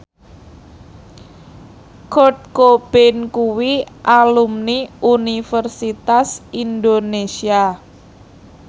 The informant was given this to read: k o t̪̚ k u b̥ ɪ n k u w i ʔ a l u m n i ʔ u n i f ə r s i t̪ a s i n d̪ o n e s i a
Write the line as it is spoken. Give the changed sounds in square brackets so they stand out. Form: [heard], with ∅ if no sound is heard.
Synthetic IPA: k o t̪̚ k [o] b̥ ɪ n k u w i ʔ a l u m n i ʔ u n i f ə r s i t̪ a s i n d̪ o n e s i a